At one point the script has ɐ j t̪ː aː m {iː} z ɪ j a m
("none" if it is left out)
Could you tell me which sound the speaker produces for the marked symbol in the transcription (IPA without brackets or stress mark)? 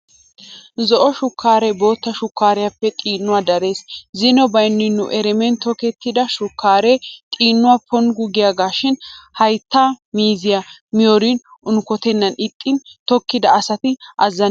iː